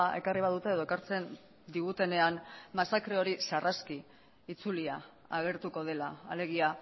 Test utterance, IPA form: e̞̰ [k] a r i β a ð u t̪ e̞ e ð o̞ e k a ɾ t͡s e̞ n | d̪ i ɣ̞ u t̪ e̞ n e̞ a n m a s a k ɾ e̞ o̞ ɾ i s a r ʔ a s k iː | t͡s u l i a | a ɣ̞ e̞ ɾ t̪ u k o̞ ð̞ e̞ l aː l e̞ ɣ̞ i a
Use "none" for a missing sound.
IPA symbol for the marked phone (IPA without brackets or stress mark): k